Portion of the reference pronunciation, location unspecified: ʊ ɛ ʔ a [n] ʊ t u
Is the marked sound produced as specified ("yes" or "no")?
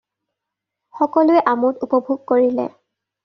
no